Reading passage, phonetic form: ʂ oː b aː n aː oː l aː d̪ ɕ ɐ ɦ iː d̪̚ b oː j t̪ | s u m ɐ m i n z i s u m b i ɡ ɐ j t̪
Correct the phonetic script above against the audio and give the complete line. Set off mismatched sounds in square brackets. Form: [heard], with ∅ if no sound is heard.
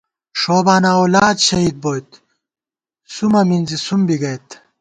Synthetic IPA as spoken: ʂ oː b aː n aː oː l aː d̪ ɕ ɐ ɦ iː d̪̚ b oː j t̪ | s u m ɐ m i n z i s u m b i ɡ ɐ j t̪

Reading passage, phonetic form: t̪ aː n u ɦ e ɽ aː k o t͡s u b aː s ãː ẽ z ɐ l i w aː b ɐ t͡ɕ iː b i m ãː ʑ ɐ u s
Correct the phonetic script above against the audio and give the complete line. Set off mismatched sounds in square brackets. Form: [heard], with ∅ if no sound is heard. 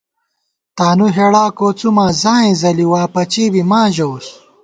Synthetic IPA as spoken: t̪ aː n u ɦ e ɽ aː k o t͡s u [m] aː [z] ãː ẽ z ɐ l i w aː [p] ɐ t͡ɕ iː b i m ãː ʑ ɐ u s

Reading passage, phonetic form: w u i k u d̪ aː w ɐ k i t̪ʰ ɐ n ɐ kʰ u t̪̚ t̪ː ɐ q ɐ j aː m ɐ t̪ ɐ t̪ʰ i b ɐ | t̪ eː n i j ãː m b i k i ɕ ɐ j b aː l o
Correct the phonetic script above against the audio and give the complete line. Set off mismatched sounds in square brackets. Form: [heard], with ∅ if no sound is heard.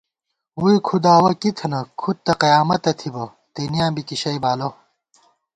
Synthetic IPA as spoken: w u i [kʰ] u d̪ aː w ɐ k i t̪ʰ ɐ n ɐ kʰ u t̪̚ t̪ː ɐ q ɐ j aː m ɐ t̪ ɐ t̪ʰ i b ɐ | t̪ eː n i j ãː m b i k i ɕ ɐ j b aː l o

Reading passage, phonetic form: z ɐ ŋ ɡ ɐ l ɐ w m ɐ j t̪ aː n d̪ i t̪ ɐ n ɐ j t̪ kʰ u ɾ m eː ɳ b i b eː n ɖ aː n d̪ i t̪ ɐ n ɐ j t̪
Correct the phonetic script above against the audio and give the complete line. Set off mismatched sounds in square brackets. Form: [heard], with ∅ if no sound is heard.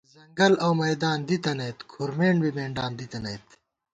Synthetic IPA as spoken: z ɐ ŋ ɡ ɐ l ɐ w m ɐ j [d̪] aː n d̪ i t̪ ɐ n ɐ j t̪ kʰ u ɾ m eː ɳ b i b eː [ɳ] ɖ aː n d̪ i t̪ ɐ n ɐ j t̪

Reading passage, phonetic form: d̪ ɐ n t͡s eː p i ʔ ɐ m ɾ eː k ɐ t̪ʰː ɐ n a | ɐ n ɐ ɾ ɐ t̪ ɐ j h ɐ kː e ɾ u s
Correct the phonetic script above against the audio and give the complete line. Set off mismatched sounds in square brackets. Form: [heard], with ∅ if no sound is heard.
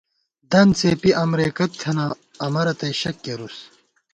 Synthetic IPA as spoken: d̪ ɐ n t͡s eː p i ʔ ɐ m ɾ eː k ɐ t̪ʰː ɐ n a | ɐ [m] ɐ ɾ ɐ t̪ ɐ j [ɕ] ɐ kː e ɾ u s

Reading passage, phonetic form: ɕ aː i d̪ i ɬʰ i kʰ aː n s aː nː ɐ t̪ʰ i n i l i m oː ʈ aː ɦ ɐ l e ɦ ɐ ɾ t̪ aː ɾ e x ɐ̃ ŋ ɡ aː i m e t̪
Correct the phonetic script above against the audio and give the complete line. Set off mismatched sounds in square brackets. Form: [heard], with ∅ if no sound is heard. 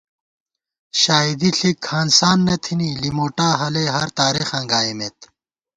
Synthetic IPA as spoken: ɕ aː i d̪ i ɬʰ i kʰ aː n s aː nː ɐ t̪ʰ i n i l i m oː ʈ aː ɦ ɐ l e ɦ ɐ ɾ t̪ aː ɾ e x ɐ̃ ŋ ɡ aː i m e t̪

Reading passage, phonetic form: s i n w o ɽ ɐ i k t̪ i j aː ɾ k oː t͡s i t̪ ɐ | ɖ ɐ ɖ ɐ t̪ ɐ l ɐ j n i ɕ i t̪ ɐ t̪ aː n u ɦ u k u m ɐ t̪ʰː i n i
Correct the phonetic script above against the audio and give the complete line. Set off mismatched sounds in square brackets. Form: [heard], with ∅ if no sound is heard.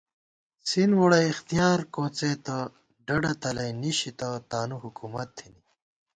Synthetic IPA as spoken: s i n w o ɽ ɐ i [x] t̪ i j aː ɾ k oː t͡s [e] t̪ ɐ | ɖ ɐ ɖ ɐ t̪ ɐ l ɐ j n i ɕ i t̪ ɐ t̪ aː n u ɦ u k u m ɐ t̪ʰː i n i

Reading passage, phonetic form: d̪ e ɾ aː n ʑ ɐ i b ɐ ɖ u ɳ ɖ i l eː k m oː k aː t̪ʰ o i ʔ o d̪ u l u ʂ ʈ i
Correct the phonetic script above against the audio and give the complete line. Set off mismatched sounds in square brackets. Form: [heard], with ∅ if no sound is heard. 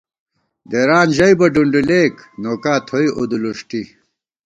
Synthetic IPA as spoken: d̪ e ɾ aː n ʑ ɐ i b ɐ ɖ u ɳ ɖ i l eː k [n] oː k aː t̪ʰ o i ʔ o d̪ u l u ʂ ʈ i

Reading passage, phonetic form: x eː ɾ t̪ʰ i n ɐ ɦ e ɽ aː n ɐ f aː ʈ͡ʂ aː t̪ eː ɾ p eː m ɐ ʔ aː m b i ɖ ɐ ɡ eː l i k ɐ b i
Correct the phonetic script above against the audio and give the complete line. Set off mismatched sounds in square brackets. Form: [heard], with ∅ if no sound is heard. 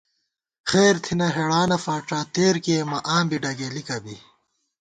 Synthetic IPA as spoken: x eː ɾ t̪ʰ i n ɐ ɦ e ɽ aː n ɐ f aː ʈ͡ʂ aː t̪ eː ɾ [k] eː m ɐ ʔ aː m b i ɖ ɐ ɡ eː l i k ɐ b i

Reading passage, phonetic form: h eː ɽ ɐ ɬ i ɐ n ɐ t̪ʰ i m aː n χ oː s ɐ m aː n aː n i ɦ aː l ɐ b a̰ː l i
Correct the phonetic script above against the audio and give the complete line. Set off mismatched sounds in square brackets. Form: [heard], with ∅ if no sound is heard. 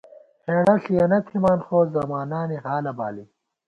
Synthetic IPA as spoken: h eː ɽ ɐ ɬ i ɐ n ɐ t̪ʰ i m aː n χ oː [z] ɐ m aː n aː n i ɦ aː l ɐ b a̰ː l i

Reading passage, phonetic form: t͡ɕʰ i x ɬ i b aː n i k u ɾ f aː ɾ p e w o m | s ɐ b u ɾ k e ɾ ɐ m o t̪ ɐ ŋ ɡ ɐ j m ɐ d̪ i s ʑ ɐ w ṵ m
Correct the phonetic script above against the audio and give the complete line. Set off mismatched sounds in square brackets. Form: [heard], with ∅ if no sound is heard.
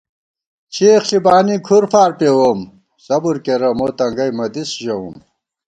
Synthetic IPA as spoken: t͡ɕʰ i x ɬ i b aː n i [kʰ] u ɾ f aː ɾ p e w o m | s ɐ b u ɾ k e ɾ ɐ m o t̪ ɐ ŋ ɡ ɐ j m ɐ d̪ i s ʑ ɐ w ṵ m

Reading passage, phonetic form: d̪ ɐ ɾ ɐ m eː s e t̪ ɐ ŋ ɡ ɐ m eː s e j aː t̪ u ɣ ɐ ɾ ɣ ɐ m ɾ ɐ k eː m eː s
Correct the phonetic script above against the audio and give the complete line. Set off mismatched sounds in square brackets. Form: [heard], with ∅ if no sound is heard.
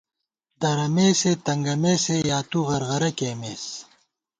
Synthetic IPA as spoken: d̪ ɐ ɾ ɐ m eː s e t̪ ɐ ŋ ɡ ɐ m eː s e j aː t̪ u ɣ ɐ ɾ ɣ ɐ [∅] ɾ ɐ k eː m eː s

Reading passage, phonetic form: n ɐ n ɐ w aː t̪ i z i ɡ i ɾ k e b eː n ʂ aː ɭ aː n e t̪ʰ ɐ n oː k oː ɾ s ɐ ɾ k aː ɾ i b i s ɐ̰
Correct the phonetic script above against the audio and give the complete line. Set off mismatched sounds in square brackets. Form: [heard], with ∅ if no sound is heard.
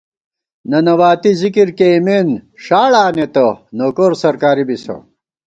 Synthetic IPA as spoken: n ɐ n ɐ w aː t̪ i z i [k] i ɾ k e [m] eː n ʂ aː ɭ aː n e [t̪] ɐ n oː k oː ɾ s ɐ ɾ k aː ɾ i b i s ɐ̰

